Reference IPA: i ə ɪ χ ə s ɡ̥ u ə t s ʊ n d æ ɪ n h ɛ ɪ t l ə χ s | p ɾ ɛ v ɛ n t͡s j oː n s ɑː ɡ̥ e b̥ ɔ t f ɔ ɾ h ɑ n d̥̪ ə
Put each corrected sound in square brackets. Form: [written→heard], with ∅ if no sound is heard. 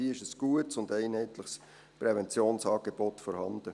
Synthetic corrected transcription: i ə ɪ [χ→ʃ] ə s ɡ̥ u ə t s ʊ n d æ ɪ n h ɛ ɪ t l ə χ s | p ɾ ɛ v ɛ n t͡s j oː n s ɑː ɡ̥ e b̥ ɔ t f ɔ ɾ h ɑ n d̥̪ ə